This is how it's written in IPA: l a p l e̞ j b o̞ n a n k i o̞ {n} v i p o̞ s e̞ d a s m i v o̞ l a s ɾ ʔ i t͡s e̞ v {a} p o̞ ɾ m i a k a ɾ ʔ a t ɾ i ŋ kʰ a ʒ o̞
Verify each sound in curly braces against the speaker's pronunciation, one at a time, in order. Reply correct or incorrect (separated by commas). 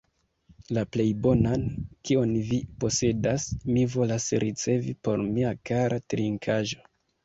correct, incorrect